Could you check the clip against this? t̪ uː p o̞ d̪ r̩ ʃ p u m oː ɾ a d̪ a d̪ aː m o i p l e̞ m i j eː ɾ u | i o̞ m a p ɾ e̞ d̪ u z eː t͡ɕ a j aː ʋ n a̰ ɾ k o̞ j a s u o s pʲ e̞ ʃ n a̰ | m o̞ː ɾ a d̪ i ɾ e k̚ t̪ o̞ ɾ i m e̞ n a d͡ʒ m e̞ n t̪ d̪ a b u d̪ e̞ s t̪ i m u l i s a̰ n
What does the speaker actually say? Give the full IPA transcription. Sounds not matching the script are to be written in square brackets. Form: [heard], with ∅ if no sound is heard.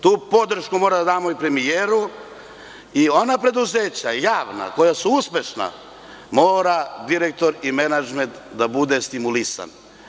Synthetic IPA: t̪ uː p o̞ d̪ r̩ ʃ [k] u m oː ɾ a d̪ a d̪ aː m o i p [ɾ] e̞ m i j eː ɾ u | i o̞ [n] a p ɾ e̞ d̪ u z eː t͡ɕ a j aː ʋ n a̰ [∅] k o̞ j a s u [u] s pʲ e̞ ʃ n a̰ | m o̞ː ɾ a d̪ i ɾ e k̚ t̪ o̞ ɾ i m e̞ n a d͡ʒ m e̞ n t̪ d̪ a b u d̪ e̞ s t̪ i m u l i s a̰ n